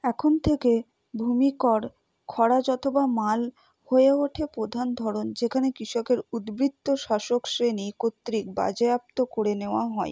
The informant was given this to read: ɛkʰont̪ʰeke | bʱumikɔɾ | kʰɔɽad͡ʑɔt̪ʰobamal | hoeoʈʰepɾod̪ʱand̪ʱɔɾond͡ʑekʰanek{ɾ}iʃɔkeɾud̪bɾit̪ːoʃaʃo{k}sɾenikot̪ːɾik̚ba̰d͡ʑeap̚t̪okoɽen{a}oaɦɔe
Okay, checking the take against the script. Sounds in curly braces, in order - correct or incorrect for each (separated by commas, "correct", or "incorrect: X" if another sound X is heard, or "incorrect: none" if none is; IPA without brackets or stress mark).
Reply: correct, correct, incorrect: e